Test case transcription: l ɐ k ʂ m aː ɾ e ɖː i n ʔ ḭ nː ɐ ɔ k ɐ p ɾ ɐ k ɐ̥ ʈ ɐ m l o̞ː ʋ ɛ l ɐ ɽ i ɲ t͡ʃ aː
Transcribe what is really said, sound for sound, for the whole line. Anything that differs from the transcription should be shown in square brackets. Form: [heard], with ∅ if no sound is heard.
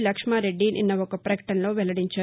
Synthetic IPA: l ɐ k ʂ m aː ɾ e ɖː i n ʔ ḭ nː ɐ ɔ k ɐ p ɾ ɐ k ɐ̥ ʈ ɐ [n] l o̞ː ʋ ɛ l ɐ ɽ i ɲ t͡ʃ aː

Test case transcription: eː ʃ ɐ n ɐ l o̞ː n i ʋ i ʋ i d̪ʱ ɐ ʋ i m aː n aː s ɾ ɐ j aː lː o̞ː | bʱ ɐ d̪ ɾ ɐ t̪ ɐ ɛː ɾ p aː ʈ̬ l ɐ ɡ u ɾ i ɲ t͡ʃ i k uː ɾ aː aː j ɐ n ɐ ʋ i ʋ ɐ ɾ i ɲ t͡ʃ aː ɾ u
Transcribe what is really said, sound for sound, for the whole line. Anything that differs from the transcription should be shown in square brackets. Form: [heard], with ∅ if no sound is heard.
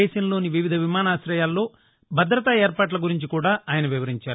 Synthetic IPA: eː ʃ ɐ n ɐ l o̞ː n i ʋ i ʋ i d̪ʱ ɐ ʋ i m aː n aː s ɾ ɐ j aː lː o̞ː | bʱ ɐ d̪ ɾ ɐ t̪ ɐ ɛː ɾ p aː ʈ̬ l ɐ ɡ u ɾ i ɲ t͡ʃ i k uː [ɽ] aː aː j ɐ n ɐ ʋ i ʋ ɐ ɾ i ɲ t͡ʃ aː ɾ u

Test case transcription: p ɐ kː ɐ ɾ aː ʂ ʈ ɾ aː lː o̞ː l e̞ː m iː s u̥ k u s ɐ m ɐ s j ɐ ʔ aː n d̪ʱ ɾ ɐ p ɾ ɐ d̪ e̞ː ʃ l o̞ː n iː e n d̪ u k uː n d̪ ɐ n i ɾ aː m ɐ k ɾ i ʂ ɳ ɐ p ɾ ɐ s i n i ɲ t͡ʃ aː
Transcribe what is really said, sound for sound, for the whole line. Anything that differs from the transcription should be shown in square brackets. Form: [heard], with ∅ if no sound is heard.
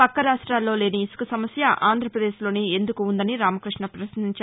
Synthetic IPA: p ɐ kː ɐ ɾ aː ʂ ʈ ɾ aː lː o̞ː l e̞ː [n] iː s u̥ k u s ɐ m ɐ s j ɐ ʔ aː n d̪ʱ ɾ ɐ p ɾ ɐ d̪ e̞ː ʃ l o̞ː n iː e n d̪ u k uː n d̪ ɐ n i ɾ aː m ɐ k ɾ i ʂ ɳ ɐ p ɾ ɐ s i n i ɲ t͡ʃ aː

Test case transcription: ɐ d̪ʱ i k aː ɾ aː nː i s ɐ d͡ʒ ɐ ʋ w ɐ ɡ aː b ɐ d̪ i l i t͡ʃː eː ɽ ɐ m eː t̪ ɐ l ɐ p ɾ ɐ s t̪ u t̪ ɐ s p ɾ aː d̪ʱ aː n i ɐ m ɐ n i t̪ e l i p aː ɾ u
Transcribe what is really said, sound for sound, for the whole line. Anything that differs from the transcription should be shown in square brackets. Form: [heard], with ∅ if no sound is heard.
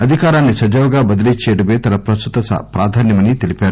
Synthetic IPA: ɐ d̪ʱ i k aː ɾ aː nː i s ɐ d͡ʒ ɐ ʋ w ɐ ɡ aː b ɐ d̪ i l i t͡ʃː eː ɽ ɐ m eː t̪ ɐ l ɐ p ɾ ɐ s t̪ u t̪ ɐ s p ɾ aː d̪ʱ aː n [j] ɐ m ɐ n i t̪ e l i p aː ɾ u

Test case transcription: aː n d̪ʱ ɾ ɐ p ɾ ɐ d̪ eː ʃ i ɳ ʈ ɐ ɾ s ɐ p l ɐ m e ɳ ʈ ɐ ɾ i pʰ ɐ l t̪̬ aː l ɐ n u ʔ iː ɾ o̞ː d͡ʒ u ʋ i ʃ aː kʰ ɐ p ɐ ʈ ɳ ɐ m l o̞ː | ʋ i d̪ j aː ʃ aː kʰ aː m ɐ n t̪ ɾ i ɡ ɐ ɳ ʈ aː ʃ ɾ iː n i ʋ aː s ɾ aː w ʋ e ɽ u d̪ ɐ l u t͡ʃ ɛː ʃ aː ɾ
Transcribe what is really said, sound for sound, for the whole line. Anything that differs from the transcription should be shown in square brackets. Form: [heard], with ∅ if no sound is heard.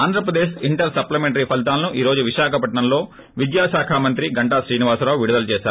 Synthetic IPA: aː n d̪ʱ ɾ ɐ p ɾ ɐ d̪ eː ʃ i ɳ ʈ ɐ ɾ s ɐ p l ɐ m e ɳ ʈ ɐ ɾ i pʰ ɐ l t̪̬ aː l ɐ n u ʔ iː ɾ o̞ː d͡ʒ u ʋ i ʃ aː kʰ ɐ p ɐ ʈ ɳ ɐ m l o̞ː | ʋ i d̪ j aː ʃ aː kʰ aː m ɐ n t̪ ɾ i ɡ ɐ ɳ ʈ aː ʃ ɾ iː n i ʋ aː s ɾ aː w ʋ [i] ɽ u d̪ ɐ l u t͡ʃ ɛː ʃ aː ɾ

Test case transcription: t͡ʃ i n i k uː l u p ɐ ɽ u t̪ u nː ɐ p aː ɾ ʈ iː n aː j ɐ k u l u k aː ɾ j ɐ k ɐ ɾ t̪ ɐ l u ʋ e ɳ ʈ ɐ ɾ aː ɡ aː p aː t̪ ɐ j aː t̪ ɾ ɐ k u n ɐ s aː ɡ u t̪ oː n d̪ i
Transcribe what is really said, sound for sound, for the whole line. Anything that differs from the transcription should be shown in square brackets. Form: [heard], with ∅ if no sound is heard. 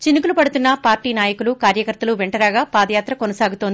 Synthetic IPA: t͡ʃ i n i k [u] l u p ɐ ɽ u t̪ u nː ɐ p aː ɾ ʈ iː n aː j ɐ k u l u k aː ɾ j ɐ k ɐ ɾ t̪ ɐ l u ʋ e ɳ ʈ ɐ ɾ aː ɡ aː p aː [d̪] ɐ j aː t̪ ɾ ɐ k [o] n ɐ s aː ɡ u t̪ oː n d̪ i

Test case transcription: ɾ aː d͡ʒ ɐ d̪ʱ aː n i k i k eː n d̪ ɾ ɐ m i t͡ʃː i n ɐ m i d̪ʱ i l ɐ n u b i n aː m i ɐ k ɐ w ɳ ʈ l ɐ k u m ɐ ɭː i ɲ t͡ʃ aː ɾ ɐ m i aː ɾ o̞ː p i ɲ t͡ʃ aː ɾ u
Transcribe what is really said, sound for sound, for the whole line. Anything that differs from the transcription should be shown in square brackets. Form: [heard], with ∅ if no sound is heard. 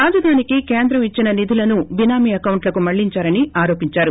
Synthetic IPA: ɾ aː d͡ʒ ɐ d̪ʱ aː n i k i k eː n d̪ ɾ ɐ m i t͡ʃː i n ɐ [n] i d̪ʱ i l ɐ n u b i n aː m i ɐ k ɐ w ɳ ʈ l ɐ k u m ɐ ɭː i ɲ t͡ʃ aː ɾ ɐ [n] i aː ɾ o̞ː p i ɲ t͡ʃ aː ɾ u

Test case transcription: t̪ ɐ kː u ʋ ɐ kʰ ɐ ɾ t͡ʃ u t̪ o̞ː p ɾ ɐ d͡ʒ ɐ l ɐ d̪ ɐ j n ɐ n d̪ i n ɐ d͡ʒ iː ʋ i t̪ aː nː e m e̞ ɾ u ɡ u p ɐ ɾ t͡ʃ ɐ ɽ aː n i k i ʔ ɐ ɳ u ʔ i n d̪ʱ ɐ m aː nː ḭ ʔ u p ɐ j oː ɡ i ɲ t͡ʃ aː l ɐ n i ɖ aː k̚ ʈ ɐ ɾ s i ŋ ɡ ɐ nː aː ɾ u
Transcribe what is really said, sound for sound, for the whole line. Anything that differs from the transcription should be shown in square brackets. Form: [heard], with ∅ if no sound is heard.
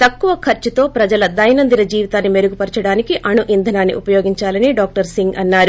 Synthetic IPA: t̪ ɐ kː u ʋ ɐ kʰ ɐ ɾ t͡ʃ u t̪ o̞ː p ɾ ɐ d͡ʒ ɐ l ɐ d̪ ɐ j n ɐ n d̪ i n ɐ d͡ʒ iː ʋ i t̪ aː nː [i] m e̞ ɾ u ɡ u p ɐ ɾ t͡ʃ ɐ ɽ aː n i k i ʔ ɐ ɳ u ʔ i n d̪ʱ ɐ [n] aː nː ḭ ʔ u p ɐ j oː ɡ i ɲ t͡ʃ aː l ɐ n i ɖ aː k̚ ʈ ɐ ɾ s i ŋ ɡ ɐ nː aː ɾ u

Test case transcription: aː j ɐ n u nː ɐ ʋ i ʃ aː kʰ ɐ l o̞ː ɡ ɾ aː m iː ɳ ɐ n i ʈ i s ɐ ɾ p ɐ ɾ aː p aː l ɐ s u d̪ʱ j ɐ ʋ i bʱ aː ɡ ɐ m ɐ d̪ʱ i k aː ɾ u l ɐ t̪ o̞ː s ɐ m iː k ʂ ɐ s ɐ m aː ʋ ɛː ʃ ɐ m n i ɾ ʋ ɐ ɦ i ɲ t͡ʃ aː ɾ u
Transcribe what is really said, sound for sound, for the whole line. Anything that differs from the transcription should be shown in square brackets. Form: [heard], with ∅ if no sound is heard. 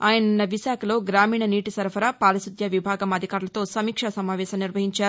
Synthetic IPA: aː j ɐ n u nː ɐ ʋ i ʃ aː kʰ ɐ l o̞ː ɡ ɾ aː m iː ɳ ɐ n [iː] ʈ i s ɐ ɾ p ɐ ɾ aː p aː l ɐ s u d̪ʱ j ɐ ʋ i bʱ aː ɡ ɐ m ɐ d̪ʱ i k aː ɾ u l ɐ t̪ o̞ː s ɐ m iː k ʂ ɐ s ɐ m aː ʋ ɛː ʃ ɐ m n i ɾ ʋ ɐ ɦ i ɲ t͡ʃ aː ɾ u

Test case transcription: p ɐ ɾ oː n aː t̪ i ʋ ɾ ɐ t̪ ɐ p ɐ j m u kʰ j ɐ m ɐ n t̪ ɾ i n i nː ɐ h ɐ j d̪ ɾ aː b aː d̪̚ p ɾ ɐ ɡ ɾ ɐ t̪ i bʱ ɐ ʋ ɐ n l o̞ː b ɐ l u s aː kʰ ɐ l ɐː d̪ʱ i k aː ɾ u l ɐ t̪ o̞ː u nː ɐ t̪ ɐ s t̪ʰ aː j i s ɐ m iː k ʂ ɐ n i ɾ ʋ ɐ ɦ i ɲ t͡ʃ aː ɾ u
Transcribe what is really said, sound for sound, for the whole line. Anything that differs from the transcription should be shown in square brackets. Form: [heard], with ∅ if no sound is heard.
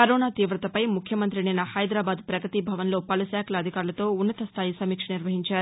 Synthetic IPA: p ɐ ɾ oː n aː t̪ [iː] ʋ ɾ ɐ t̪ ɐ p ɐ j m u kʰ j ɐ m ɐ n t̪ ɾ i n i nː ɐ h ɐ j d̪ ɾ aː b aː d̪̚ p ɾ ɐ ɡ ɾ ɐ t̪ i bʱ ɐ ʋ ɐ n l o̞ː [p] ɐ l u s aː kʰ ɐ l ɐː d̪ʱ i k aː ɾ u l ɐ t̪ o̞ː u nː ɐ t̪ ɐ s t̪ʰ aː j i s ɐ m iː k ʂ ɐ n i ɾ ʋ ɐ ɦ i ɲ t͡ʃ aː ɾ u

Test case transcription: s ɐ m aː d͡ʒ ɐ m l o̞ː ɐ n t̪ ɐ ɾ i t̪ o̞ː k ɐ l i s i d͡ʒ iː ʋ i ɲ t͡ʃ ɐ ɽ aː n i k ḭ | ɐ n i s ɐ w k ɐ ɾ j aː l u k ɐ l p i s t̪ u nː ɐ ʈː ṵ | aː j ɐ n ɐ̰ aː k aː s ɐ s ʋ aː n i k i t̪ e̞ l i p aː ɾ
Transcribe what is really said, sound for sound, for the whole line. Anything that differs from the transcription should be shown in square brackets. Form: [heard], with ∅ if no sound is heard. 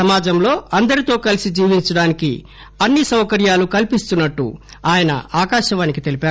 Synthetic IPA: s ɐ m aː d͡ʒ ɐ m l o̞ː ɐ n [d̪] ɐ ɾ i t̪ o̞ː k ɐ l i s i d͡ʒ iː ʋ i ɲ t͡ʃ ɐ ɽ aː n i k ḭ | ɐ [nː] i s ɐ w k ɐ ɾ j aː l u k ɐ l p i s t̪ u nː ɐ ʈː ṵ | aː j ɐ n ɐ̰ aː k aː [ʃ] ɐ [∅] ʋ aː n i k i t̪ e̞ l i p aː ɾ

